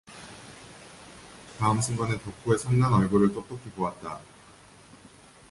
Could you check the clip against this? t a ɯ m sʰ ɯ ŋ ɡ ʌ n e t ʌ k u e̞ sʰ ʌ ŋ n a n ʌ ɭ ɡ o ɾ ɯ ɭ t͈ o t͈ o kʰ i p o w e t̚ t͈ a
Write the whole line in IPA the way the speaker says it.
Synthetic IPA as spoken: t a ɯ m sʰ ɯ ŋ ɡ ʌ n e t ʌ kʰ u e̞ sʰ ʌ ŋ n a n ʌ ɭ ɡ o ɾ ɯ ɭ t͈ o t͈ o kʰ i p o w a t̚ t͈ a